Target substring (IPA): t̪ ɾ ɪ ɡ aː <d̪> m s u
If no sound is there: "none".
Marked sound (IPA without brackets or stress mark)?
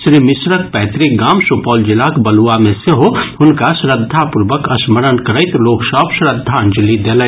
none